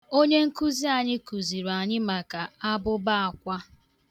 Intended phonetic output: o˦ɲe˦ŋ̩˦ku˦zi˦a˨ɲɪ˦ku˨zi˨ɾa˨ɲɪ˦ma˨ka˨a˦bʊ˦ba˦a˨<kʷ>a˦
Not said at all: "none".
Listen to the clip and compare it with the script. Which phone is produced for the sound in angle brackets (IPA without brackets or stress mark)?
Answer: kʷ